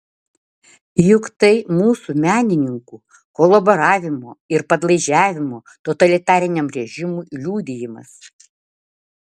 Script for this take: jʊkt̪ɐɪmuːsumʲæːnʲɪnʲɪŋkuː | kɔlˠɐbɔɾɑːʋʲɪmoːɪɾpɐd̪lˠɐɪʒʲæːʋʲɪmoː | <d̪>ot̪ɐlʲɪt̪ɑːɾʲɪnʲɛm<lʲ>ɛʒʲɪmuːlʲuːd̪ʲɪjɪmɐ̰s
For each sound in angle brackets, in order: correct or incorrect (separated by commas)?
incorrect, incorrect